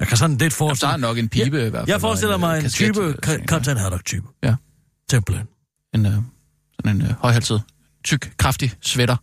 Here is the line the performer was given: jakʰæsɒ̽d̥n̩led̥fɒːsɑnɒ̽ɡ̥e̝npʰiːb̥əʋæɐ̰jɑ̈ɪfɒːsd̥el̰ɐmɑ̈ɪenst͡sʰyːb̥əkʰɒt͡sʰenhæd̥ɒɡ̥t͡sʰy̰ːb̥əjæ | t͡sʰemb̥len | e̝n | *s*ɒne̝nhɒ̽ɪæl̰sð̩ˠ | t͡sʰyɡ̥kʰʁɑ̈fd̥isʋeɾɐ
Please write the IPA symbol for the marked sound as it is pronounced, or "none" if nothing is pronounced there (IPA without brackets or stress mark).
s